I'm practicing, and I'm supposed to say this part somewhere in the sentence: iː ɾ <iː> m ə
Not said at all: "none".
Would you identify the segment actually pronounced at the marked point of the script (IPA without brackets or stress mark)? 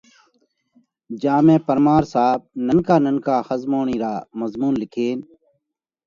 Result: aː